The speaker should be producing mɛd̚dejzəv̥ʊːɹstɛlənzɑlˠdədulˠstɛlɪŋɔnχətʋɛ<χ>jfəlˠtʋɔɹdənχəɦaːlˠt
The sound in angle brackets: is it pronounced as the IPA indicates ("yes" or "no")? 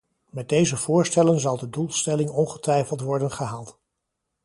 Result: no